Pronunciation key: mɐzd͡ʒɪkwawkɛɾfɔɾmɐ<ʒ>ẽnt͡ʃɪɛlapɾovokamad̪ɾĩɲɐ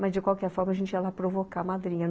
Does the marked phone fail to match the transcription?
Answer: no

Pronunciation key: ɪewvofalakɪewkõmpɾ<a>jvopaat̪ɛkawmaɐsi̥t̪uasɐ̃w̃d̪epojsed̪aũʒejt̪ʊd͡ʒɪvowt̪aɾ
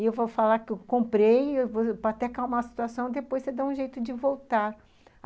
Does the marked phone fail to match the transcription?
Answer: yes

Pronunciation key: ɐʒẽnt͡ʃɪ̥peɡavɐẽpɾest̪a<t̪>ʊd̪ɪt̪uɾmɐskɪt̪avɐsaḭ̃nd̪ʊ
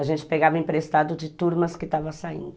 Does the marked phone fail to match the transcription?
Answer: yes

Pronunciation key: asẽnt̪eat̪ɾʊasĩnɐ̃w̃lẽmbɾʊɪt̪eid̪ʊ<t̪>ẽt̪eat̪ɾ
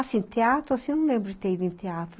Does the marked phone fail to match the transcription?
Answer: yes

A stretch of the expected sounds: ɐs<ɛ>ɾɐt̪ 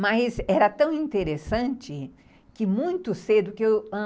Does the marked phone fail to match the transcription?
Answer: no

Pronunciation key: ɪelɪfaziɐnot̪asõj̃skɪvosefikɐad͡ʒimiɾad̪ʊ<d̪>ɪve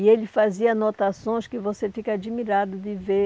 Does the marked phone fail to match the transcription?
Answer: no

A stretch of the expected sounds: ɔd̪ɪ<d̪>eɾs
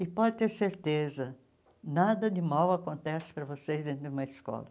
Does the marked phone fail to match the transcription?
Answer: yes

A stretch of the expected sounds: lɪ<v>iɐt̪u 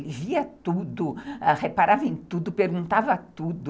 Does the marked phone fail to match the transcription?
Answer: no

